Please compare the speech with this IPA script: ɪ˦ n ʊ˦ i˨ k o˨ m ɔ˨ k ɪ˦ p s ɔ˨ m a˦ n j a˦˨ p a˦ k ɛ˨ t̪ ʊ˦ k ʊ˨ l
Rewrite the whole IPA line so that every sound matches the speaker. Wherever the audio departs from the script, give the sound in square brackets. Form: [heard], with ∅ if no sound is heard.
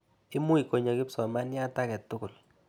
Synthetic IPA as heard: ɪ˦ [m] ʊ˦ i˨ k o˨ [ɲ] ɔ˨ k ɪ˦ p s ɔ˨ m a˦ n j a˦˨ [t] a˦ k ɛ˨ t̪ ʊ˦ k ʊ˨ l